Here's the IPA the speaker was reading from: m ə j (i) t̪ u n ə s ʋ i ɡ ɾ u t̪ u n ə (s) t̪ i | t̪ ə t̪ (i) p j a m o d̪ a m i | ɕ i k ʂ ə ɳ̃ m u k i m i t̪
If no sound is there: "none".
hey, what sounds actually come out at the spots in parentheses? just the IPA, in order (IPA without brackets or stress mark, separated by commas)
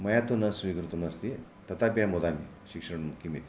a, s, a